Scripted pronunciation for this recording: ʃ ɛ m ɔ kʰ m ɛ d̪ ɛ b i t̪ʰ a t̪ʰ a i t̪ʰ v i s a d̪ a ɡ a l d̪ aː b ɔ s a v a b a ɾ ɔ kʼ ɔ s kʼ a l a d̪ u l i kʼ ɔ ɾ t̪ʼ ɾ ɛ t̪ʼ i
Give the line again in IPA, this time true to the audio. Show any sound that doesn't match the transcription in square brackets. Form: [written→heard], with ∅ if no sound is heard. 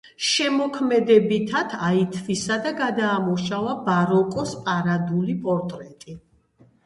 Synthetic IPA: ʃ ɛ m ɔ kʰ m ɛ d̪ ɛ b i t̪ʰ a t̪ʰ a i t̪ʰ v i s a d̪ a ɡ a [l→∅] d̪ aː [b→m] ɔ [s→ʃ] a v a b a ɾ ɔ kʼ ɔ s [kʼ→pʼ] a [l→ɾ] a d̪ u l i [kʼ→pʼ] ɔ ɾ t̪ʼ ɾ ɛ t̪ʼ i